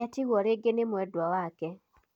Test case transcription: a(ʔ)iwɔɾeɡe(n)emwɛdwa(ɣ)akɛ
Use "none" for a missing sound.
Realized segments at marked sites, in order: t, n, w

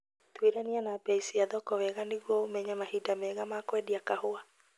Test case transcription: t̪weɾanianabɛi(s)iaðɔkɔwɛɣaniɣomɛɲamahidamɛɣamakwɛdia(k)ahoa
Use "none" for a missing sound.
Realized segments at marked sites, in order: s, k

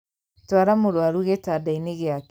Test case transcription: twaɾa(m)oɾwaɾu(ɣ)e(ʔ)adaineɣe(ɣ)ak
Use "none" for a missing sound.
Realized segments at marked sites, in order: m, ɣ, t, none

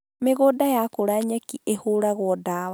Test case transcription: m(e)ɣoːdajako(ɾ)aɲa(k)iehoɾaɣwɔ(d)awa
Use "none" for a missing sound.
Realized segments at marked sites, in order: e, ɾ, k, d

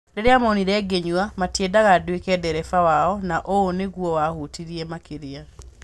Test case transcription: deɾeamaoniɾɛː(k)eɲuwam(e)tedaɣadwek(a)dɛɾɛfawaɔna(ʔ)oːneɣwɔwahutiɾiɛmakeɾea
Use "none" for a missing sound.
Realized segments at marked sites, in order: ɡ, a, ɛ, ʔ

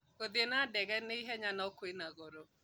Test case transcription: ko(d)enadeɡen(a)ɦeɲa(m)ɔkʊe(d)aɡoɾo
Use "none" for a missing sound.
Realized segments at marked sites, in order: d, i, n, n

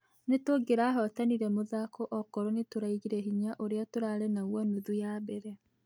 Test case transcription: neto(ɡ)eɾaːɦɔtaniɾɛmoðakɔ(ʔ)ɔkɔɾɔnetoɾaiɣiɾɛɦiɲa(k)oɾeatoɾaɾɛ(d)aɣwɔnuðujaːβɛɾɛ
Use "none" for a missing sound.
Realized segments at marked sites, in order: ɡ, ʔ, ʔ, n

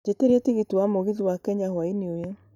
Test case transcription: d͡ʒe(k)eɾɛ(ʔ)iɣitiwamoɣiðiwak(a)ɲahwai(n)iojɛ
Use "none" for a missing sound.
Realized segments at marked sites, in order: t, t, ɛ, n

